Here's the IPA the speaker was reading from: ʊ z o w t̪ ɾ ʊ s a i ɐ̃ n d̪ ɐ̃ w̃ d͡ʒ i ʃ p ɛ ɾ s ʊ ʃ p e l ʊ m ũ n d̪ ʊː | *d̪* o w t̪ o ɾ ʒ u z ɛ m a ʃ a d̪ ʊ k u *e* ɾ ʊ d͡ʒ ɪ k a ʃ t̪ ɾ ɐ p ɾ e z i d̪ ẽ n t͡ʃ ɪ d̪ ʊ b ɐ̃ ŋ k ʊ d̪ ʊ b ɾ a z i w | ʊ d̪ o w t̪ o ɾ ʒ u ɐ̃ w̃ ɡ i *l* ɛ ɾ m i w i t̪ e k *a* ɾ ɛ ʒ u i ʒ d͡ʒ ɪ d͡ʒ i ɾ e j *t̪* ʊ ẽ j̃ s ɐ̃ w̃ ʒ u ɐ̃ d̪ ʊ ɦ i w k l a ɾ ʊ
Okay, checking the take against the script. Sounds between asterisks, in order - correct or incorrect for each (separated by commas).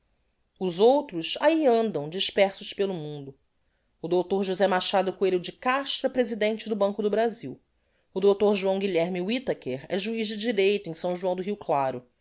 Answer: correct, correct, incorrect, incorrect, correct